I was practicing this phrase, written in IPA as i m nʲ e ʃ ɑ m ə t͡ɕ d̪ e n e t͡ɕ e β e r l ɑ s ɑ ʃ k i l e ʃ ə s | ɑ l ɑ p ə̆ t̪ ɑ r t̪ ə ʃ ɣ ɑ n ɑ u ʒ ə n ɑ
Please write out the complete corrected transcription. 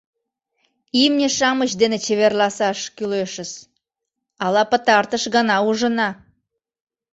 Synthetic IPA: i m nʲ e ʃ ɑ m ə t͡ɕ d̪ e n e t͡ɕ e β e r l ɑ s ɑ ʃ k y l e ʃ ə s | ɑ l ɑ p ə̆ t̪ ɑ r t̪ ə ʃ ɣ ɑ n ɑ u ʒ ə n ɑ